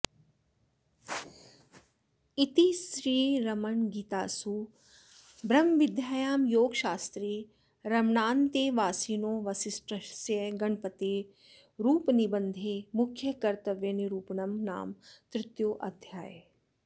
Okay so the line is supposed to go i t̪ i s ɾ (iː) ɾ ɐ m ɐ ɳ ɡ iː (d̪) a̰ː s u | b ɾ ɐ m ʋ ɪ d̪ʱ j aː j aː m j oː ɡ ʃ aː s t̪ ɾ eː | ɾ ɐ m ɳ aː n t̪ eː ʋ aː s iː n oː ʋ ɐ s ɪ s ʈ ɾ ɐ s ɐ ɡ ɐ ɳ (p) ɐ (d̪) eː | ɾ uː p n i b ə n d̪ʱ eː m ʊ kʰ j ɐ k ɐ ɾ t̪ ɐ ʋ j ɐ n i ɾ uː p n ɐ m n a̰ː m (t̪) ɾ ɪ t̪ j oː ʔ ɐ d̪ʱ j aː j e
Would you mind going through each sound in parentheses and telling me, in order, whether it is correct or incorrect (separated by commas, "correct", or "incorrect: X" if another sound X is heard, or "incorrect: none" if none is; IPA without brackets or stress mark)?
correct, incorrect: t̪, correct, incorrect: t̪, correct